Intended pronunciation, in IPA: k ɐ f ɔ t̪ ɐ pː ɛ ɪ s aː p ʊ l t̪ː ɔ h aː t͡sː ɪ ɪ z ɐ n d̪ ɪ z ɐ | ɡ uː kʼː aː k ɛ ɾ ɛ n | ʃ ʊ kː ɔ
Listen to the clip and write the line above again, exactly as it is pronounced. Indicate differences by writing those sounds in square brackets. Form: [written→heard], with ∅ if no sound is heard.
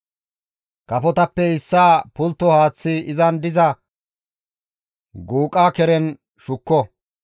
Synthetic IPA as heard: k ɐ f ɔ t̪ ɐ pː ɛ ɪ [s→sː] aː p ʊ l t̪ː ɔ h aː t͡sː ɪ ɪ z ɐ n d̪ ɪ z ɐ | ɡ uː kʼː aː k ɛ ɾ ɛ n | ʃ ʊ kː ɔ